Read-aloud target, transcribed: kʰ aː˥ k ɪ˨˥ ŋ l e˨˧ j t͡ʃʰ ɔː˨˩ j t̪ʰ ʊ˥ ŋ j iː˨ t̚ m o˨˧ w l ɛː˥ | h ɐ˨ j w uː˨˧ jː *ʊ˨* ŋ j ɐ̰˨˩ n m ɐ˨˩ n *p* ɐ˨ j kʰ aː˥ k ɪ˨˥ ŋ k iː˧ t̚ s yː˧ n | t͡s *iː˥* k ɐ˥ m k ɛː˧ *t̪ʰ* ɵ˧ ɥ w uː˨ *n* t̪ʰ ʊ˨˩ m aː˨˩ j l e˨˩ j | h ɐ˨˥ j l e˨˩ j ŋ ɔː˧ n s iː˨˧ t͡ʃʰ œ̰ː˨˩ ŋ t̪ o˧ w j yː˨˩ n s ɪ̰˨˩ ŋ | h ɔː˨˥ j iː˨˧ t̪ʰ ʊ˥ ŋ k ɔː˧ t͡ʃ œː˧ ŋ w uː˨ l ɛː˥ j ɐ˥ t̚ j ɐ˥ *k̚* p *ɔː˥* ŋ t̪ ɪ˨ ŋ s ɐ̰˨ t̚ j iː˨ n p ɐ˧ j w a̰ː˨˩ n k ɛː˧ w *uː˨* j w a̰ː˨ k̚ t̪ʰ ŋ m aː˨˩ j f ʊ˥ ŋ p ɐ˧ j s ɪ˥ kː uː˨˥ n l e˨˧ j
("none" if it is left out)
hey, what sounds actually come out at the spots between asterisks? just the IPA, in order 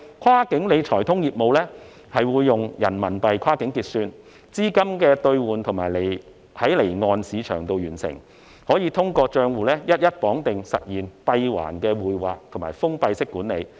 ʊ˨, p, iː˥, t̪, n, t̚, ɔː˨˥, uː˨

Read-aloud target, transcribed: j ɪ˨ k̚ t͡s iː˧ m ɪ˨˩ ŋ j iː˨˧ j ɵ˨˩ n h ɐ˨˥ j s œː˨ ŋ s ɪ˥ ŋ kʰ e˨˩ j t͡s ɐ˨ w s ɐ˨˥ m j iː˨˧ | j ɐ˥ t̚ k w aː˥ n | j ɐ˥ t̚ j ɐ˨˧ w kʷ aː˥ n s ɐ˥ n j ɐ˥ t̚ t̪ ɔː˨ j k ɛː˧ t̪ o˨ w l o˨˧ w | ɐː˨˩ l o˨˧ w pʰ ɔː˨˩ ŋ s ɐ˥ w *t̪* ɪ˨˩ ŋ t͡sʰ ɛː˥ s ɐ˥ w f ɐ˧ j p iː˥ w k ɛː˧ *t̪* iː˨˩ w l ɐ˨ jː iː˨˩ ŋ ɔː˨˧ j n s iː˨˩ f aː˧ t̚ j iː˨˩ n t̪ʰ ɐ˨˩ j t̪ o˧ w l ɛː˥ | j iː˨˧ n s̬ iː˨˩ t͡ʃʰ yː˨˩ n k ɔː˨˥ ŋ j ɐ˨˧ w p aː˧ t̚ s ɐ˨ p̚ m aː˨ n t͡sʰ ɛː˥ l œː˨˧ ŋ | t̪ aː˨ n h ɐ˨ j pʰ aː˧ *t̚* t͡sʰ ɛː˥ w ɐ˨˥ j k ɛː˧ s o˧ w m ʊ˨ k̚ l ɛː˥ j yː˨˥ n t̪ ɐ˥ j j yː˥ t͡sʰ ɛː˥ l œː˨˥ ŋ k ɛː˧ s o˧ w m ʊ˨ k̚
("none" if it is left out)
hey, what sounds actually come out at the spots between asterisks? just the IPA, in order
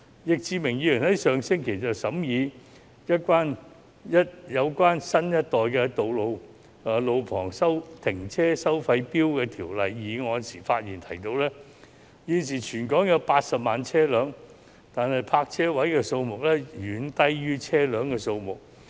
t̪ʰ, t̪ʰ, k̚

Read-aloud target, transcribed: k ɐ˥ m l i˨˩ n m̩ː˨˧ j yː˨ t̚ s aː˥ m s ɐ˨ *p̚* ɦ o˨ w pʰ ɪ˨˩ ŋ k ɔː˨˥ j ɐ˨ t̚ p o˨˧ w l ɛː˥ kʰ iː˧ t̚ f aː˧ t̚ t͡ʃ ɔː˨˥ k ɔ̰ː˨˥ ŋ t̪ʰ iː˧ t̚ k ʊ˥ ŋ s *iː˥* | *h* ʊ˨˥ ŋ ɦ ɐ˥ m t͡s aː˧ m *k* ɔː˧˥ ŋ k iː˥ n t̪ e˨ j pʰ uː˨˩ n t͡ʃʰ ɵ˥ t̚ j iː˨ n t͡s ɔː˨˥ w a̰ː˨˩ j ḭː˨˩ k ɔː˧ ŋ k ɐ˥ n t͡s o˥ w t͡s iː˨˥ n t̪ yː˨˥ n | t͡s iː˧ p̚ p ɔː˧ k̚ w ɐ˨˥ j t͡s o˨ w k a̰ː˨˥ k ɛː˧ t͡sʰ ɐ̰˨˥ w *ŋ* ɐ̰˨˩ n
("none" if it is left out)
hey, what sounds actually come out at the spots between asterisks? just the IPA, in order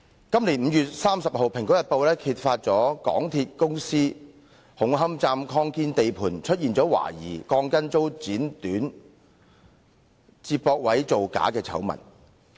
p̚, iː˥, h, kʰ, m

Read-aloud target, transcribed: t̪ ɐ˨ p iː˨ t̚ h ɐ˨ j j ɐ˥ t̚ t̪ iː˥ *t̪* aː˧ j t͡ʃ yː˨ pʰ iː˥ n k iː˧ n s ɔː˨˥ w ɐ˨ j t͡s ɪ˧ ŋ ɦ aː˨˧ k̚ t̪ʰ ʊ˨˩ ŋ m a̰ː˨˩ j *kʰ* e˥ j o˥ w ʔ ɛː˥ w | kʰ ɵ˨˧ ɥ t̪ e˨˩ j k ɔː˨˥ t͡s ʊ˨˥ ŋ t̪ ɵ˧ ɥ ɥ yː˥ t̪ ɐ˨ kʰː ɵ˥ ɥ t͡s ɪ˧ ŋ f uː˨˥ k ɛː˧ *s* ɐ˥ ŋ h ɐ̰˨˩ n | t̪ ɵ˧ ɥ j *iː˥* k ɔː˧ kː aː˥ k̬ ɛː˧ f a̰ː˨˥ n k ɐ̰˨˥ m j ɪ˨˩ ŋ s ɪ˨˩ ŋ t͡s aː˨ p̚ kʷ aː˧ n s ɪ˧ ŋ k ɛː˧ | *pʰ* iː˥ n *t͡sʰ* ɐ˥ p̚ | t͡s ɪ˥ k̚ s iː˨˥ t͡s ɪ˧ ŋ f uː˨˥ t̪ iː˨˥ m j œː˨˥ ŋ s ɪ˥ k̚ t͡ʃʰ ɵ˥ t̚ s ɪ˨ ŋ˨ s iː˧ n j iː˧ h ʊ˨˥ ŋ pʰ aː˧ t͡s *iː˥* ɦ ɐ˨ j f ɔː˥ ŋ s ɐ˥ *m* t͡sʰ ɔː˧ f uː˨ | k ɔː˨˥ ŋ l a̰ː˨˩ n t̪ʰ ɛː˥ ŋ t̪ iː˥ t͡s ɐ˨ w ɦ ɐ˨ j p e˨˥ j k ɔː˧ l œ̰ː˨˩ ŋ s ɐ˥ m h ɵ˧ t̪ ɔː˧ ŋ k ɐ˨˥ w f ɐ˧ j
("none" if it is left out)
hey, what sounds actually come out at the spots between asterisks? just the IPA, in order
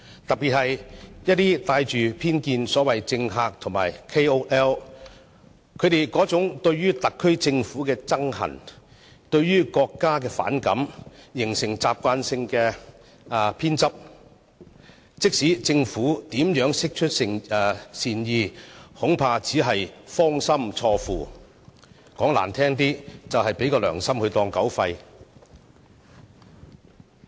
t̪, kʰ, t͡s, yː˥, pʰ, t͡s, iː˨˥, m

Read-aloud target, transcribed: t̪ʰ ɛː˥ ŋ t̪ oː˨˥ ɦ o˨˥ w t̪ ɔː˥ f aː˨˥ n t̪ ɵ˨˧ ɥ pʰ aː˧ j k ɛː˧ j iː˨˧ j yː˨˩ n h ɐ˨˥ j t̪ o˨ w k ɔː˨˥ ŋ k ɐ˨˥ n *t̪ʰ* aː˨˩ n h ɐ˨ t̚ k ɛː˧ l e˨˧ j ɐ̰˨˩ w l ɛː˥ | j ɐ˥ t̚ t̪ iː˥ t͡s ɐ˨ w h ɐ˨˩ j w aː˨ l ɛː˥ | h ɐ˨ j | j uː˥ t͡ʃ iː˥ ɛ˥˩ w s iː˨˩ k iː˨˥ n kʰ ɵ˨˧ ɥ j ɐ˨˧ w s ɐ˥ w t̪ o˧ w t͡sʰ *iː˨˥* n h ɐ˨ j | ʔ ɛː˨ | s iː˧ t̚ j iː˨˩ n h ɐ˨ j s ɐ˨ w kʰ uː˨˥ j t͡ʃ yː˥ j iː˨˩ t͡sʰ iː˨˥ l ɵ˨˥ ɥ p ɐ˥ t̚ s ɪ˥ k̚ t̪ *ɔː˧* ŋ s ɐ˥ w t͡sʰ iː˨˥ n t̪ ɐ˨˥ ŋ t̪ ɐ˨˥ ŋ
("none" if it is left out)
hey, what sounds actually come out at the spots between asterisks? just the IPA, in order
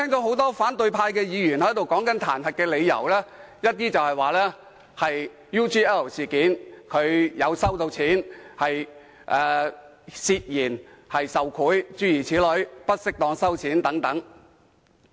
t̪ʰ, iː˨˥, ɔː˧

